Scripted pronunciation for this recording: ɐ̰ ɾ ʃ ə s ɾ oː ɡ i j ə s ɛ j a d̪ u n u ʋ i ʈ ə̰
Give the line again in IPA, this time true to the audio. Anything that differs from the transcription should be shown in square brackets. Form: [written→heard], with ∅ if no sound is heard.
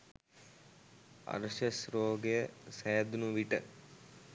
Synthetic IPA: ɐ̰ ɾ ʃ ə s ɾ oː ɡ [i→e] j ə s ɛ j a d̪ u n u ʋ i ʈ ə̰